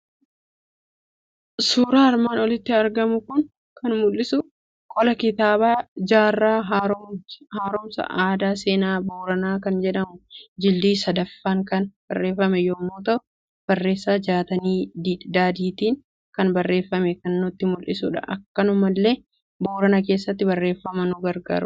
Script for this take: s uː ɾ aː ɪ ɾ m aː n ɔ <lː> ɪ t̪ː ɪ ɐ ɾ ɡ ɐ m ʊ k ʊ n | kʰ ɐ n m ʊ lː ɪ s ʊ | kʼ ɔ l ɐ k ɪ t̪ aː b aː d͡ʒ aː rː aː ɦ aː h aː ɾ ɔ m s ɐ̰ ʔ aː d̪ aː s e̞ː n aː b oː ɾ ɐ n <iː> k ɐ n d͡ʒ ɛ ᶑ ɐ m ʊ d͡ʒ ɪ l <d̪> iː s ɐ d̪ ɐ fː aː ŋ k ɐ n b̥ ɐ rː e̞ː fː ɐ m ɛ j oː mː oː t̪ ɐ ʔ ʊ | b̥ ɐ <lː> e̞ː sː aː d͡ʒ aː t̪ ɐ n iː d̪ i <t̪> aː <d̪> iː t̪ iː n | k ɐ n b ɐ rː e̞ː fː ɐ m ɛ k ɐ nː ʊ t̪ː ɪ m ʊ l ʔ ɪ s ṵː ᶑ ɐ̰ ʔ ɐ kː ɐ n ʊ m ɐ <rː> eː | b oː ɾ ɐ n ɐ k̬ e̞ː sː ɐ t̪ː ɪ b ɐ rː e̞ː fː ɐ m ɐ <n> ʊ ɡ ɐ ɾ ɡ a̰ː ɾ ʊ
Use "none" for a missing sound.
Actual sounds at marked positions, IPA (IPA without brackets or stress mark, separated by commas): l, aː, d̪, rː, d̪, d̪, lː, n